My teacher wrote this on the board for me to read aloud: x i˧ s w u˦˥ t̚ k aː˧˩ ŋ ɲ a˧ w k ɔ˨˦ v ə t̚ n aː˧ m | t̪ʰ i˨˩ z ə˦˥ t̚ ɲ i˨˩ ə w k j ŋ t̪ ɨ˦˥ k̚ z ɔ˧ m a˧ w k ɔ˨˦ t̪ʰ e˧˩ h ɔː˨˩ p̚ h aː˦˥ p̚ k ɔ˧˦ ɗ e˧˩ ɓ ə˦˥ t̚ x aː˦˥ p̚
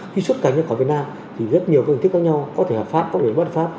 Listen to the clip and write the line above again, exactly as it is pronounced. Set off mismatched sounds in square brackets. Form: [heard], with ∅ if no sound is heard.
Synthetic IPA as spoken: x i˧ s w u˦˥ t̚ k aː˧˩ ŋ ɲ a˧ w k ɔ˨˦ v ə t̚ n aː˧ m | t̪ʰ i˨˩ z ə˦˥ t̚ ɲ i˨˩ ə w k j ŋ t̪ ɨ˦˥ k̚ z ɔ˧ [ɲ] a˧ w k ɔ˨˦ t̪ʰ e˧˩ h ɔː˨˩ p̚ [f] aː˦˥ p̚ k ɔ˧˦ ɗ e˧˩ ɓ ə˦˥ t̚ [f] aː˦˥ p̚

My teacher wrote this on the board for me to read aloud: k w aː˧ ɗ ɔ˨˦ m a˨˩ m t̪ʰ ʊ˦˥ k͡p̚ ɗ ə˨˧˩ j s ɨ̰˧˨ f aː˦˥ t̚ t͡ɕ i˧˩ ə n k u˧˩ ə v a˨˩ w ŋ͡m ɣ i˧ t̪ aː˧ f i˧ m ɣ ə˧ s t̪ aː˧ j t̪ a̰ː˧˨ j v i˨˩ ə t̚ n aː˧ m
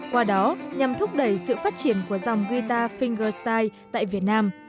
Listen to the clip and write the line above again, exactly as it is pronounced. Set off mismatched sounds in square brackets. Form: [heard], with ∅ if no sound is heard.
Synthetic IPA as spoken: k w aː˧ ɗ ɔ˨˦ [ɲ] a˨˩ m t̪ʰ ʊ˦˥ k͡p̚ ɗ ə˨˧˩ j s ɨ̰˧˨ f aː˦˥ t̚ t͡ɕ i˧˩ ə n k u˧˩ ə [z] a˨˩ w ŋ͡m ɣ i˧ t̪ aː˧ f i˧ [ŋ] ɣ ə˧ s t̪ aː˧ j t̪ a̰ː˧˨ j v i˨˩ ə t̚ n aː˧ m

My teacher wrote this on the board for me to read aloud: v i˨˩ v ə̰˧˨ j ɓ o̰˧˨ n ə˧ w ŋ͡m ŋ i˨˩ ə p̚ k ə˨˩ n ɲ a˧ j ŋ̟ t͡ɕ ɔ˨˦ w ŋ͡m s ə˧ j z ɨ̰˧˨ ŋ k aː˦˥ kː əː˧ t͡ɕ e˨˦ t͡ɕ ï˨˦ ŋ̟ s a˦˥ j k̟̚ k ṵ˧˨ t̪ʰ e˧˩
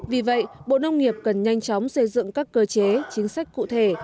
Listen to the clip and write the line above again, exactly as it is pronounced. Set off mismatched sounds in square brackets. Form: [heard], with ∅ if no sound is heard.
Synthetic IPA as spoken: v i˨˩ v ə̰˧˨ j ɓ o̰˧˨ n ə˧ w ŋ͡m ŋ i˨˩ ə p̚ k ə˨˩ n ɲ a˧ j ŋ̟ t͡ɕ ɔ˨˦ w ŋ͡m s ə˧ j z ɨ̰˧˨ ŋ k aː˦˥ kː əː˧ t͡ɕ e˨˦ t͡ɕ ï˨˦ ŋ̟ s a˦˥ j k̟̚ k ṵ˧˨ t̪ʰ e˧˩

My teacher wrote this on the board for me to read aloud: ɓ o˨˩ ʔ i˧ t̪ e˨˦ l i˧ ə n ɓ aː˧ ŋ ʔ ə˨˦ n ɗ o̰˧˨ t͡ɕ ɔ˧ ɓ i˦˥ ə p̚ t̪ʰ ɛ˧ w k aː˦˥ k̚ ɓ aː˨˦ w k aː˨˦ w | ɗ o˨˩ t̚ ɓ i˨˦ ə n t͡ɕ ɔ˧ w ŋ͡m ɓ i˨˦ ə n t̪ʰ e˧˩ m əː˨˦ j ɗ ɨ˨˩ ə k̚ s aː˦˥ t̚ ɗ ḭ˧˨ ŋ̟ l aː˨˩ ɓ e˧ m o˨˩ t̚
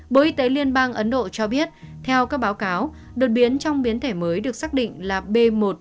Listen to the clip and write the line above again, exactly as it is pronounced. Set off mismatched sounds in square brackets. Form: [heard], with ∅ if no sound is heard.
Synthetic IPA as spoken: ɓ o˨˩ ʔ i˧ t̪ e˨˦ l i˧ ə n ɓ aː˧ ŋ ʔ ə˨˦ n ɗ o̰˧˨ t͡ɕ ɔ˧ ɓ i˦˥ ə [t̚] t̪ʰ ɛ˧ w k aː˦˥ k̚ ɓ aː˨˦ w k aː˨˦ w | ɗ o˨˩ t̚ ɓ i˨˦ ə n t͡ɕ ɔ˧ w ŋ͡m ɓ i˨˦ ə n t̪ʰ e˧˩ m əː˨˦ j ɗ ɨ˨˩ ə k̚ s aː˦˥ [k̚] ɗ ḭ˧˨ ŋ̟ l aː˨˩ ɓ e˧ m o˨˩ t̚

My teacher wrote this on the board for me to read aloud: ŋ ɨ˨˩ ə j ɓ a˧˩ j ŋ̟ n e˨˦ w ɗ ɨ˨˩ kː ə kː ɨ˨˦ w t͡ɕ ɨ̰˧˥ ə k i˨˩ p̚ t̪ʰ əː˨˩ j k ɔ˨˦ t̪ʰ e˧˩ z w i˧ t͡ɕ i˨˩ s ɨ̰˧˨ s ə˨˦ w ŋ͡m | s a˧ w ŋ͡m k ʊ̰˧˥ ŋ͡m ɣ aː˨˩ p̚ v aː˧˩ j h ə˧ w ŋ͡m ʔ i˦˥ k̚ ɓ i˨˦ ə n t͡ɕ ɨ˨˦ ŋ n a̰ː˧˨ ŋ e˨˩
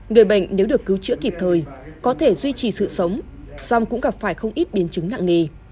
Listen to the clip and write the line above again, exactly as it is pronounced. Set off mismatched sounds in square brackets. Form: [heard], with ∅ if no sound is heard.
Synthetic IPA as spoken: ŋ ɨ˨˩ ə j ɓ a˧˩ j ŋ̟ n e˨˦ w ɗ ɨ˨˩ [∅] ə kː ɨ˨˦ w t͡ɕ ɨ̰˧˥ ə k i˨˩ p̚ t̪ʰ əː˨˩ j k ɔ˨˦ t̪ʰ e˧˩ z w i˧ t͡ɕ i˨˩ s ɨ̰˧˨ s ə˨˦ w ŋ͡m | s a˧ w ŋ͡m k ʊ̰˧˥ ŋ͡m ɣ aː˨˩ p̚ [f] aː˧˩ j [x] ə˧ w ŋ͡m ʔ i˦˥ [t̚] ɓ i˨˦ ə n t͡ɕ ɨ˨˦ ŋ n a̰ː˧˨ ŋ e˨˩

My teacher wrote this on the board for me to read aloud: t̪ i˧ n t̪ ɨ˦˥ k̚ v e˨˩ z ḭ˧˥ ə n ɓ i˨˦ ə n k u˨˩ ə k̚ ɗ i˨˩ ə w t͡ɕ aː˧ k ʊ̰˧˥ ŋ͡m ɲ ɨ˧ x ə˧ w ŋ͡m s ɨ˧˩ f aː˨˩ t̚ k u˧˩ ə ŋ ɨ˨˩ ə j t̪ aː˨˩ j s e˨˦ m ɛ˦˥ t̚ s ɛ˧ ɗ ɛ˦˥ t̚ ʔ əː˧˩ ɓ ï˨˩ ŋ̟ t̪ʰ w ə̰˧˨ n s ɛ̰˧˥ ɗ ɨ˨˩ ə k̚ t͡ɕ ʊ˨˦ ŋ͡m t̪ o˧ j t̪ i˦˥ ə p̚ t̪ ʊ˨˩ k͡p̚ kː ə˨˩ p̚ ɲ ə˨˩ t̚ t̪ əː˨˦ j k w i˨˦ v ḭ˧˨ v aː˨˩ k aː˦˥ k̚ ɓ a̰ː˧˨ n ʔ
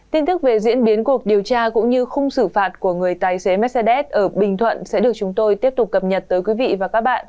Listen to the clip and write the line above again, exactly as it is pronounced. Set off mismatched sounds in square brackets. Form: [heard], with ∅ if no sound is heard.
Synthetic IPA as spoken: t̪ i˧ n t̪ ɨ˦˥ k̚ v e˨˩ z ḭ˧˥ ə n ɓ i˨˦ ə n k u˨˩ ə k̚ ɗ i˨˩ ə w t͡ɕ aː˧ k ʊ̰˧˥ ŋ͡m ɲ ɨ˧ x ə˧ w ŋ͡m s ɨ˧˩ f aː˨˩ t̚ k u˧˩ ə ŋ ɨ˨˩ ə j t̪ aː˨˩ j s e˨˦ m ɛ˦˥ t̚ s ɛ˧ ɗ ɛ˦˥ t̚ ʔ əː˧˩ ɓ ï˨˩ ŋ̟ t̪ʰ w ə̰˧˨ n s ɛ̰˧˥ ɗ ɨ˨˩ ə k̚ t͡ɕ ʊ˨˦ ŋ͡m t̪ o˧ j t̪ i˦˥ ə p̚ t̪ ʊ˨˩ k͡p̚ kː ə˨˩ p̚ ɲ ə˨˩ t̚ t̪ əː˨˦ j k w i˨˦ v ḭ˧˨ v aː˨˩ k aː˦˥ k̚ ɓ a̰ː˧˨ n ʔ

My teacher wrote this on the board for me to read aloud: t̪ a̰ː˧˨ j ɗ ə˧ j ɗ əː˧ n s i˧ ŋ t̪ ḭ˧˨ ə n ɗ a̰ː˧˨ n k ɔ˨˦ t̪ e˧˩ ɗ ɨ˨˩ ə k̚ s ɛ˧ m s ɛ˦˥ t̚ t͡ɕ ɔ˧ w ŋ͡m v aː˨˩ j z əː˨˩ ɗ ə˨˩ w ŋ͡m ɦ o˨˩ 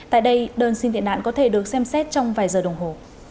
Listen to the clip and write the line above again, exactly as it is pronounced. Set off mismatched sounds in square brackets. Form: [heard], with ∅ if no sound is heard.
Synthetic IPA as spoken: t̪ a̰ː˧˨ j ɗ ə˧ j ɗ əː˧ n s i˧ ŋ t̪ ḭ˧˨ ə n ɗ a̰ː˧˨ n k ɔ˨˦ [t̪ʰ] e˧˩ ɗ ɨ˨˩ ə k̚ s ɛ˧ m s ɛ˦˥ t̚ t͡ɕ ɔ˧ w ŋ͡m v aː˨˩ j z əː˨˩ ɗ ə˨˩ w ŋ͡m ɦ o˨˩

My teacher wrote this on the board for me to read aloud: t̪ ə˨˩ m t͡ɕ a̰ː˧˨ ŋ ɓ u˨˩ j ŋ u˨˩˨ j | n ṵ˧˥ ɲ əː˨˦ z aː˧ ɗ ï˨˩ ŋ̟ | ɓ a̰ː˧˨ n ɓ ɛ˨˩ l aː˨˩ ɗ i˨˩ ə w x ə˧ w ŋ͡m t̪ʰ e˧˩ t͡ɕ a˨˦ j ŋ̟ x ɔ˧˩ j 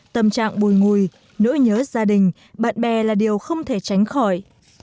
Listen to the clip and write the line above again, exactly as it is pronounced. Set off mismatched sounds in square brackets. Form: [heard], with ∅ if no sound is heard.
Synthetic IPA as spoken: t̪ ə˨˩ m t͡ɕ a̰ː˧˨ ŋ ɓ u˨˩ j ŋ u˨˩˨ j | n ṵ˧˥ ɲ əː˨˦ z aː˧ ɗ ï˨˩ ŋ̟ | ɓ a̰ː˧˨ n ɓ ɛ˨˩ l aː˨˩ ɗ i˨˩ ə w x ə˧ w ŋ͡m t̪ʰ e˧˩ t͡ɕ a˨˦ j ŋ̟ x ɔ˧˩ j

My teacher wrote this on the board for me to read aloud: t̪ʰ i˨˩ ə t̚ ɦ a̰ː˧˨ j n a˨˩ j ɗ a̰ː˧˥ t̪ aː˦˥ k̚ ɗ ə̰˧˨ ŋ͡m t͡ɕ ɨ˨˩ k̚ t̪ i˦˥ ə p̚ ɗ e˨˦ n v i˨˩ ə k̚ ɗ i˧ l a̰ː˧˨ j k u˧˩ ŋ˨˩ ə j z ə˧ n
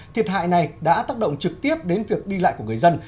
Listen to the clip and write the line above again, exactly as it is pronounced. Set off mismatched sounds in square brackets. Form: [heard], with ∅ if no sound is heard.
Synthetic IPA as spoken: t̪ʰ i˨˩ ə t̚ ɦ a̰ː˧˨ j n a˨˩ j ɗ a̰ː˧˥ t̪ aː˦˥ k̚ ɗ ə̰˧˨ ŋ͡m t͡ɕ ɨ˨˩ k̚ t̪ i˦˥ ə p̚ ɗ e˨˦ n v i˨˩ ə k̚ ɗ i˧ l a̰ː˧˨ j k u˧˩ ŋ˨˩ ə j z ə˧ n

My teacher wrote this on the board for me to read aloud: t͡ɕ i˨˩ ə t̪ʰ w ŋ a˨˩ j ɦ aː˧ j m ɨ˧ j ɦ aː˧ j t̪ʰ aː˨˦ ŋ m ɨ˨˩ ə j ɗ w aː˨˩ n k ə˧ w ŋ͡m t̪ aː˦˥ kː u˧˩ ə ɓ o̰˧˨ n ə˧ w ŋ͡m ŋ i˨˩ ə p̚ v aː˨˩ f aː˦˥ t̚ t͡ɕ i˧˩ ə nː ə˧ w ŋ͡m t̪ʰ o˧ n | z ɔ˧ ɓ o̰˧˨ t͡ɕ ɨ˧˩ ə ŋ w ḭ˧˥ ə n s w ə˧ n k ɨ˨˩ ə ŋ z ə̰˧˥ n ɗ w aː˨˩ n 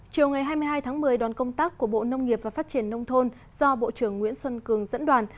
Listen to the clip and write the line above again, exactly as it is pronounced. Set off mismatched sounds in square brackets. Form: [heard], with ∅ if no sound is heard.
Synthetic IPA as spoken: t͡ɕ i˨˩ ə [∅] w ŋ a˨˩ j ɦ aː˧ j m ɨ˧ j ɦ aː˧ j t̪ʰ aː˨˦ ŋ m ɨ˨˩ ə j ɗ w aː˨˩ n k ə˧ w ŋ͡m t̪ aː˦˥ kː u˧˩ ə ɓ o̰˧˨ n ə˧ w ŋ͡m ŋ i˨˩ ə p̚ v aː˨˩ f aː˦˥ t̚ t͡ɕ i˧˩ ə nː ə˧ w ŋ͡m t̪ʰ o˧ n | z ɔ˧ ɓ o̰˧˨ t͡ɕ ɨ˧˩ ə [ŋː] w ḭ˧˥ ə n s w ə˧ n k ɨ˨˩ ə ŋ z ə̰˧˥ n ɗ w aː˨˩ n

